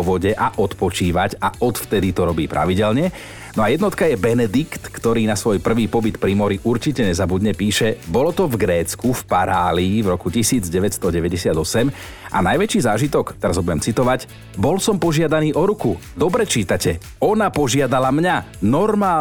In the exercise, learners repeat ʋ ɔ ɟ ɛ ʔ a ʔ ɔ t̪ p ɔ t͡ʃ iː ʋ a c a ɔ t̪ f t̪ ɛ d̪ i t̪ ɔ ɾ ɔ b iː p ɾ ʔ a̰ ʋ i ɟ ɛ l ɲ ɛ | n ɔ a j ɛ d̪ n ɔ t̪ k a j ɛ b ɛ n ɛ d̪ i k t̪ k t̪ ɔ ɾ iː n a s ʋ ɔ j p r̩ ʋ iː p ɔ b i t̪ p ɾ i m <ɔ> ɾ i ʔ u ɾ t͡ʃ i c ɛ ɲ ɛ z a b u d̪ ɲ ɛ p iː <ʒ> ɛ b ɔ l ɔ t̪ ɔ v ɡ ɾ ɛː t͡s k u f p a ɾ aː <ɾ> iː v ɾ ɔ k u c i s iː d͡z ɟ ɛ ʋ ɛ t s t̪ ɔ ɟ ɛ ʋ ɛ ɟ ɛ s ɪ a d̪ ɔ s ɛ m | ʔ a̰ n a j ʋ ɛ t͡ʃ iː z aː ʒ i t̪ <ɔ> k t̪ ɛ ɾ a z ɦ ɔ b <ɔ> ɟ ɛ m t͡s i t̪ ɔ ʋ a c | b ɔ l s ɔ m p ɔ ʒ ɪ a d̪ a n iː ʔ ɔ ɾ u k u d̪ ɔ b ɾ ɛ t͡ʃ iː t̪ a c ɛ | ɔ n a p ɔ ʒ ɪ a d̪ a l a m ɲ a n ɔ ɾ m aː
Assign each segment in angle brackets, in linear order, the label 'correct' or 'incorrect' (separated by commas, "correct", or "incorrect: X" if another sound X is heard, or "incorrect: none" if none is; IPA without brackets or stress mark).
correct, incorrect: ʃ, incorrect: l, correct, incorrect: u